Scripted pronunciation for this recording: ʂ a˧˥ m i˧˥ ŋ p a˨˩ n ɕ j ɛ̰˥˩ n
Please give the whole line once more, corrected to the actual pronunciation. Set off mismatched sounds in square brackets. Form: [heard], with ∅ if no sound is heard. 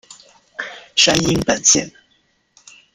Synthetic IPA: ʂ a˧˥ [n] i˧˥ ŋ p [ə˨˩] n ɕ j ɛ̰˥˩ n